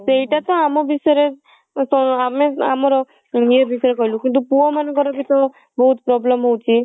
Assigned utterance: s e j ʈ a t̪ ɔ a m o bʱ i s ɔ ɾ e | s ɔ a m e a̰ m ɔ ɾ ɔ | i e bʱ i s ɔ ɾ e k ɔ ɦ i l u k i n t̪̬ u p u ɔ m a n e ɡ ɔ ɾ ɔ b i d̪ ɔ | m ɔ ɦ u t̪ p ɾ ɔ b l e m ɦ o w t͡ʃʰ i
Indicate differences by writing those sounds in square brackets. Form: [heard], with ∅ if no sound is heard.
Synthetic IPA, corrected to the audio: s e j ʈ a t̪ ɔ a m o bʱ i s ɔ ɾ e | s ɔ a m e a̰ m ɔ ɾ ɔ | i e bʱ i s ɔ ɾ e k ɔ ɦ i l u k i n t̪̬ u p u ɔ m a n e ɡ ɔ ɾ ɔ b i [t̪] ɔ | [b] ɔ ɦ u t̪ p ɾ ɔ b l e m ɦ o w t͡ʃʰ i